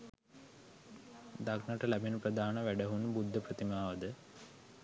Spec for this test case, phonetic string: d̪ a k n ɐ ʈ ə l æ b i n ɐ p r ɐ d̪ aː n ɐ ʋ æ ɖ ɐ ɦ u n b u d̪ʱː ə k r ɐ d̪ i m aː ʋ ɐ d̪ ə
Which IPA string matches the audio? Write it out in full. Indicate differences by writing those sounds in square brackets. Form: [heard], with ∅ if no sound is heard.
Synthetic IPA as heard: d̪ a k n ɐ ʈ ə l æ b i n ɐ p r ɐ d̪ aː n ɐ ʋ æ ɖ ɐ ɦ u n b u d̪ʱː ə [p] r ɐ [t̪] i m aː ʋ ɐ d̪ ə